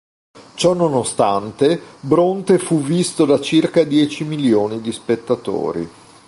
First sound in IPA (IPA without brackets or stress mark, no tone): t͡ʃ